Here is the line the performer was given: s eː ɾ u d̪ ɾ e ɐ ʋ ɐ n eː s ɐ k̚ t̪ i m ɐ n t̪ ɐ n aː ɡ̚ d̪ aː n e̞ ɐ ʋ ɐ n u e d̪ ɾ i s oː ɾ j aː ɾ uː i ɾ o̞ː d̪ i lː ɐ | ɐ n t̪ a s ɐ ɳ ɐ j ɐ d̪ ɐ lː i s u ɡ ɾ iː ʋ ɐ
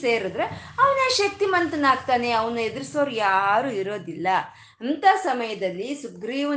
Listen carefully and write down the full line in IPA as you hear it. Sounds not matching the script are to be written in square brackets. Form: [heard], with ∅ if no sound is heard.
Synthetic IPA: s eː ɾ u d̪ ɾ e ɐ ʋ ɐ n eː [ʃ] ɐ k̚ t̪ i m ɐ n t̪ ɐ n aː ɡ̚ [t̪] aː n e̞ ɐ ʋ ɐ n u e d̪ ɾ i s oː ɾ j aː ɾ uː i ɾ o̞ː d̪ i lː ɐ | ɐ n t̪ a s ɐ [m] ɐ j ɐ d̪ ɐ lː i s u ɡ ɾ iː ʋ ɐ